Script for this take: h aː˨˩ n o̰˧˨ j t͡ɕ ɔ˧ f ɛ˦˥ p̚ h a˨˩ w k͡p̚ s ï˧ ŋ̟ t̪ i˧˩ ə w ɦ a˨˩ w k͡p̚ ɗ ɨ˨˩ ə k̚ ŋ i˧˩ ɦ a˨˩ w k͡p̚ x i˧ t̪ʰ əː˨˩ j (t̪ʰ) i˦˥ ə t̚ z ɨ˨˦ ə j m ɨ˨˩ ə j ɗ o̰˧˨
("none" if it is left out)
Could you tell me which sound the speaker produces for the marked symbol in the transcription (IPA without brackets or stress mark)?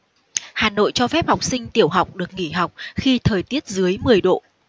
t̪